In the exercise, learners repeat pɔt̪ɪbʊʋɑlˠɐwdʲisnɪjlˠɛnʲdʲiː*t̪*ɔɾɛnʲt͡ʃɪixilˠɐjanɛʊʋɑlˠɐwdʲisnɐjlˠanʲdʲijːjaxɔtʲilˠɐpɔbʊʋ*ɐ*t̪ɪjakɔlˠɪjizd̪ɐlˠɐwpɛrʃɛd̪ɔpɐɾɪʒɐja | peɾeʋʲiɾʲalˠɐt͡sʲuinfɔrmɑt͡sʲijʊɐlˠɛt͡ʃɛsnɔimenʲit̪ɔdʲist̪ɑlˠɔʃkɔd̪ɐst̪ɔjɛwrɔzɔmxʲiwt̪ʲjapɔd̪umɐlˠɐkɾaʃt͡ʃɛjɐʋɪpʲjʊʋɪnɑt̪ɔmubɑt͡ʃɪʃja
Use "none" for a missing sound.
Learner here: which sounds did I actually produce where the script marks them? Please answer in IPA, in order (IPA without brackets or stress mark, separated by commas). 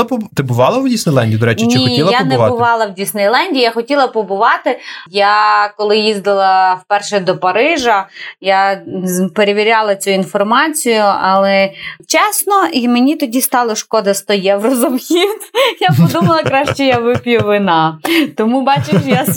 d̪, ɑ